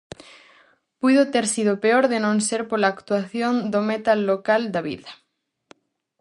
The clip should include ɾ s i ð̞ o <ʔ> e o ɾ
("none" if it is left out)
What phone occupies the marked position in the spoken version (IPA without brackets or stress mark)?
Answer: p